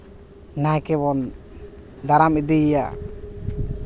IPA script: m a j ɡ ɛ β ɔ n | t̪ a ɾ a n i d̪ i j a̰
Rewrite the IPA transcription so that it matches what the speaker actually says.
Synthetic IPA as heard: n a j k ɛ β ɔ n | d̪ a ɾ a m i d̪ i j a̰